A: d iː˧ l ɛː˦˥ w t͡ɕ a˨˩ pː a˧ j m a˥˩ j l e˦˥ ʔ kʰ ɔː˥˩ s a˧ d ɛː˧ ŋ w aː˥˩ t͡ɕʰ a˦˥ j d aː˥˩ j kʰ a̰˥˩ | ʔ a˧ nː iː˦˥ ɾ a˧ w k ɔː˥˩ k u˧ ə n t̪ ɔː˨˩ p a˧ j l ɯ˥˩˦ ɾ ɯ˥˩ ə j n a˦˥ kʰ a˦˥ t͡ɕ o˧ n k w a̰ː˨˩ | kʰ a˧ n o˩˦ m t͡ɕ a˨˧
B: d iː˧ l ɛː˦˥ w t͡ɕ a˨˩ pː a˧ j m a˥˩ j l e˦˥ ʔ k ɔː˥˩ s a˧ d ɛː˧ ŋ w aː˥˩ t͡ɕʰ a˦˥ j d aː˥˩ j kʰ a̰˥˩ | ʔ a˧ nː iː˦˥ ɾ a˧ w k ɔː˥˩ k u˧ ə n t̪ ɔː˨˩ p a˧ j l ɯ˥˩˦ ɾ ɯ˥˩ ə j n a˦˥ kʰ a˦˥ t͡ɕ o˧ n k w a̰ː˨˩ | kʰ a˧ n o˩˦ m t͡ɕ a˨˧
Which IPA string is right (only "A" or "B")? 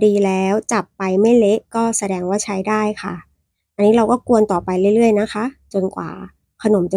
B